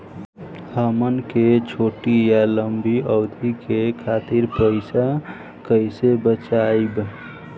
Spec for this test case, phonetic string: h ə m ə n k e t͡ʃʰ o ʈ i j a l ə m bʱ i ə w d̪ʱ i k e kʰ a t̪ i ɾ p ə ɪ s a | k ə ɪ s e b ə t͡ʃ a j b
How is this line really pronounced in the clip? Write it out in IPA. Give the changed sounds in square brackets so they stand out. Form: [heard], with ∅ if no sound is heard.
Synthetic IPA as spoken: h ə m ə n k e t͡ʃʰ o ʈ i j a l ə m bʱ i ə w d̪ʱ i k e kʰ a t̪ i ɾ p ə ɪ s a | k ə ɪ s e b ə t͡ʃ a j b